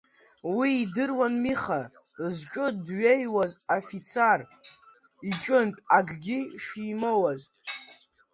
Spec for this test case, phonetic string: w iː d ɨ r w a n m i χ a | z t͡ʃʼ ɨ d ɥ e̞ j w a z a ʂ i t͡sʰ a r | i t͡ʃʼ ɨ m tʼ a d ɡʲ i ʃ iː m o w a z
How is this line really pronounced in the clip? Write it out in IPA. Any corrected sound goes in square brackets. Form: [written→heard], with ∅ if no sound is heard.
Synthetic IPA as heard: w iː d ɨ r w a n m i χ a | z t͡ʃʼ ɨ d ɥ e̞ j w a z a [ʂ→f] i t͡sʰ a r | i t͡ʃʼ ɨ [m→n] tʼ a [d→ɡ] ɡʲ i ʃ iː m o w a z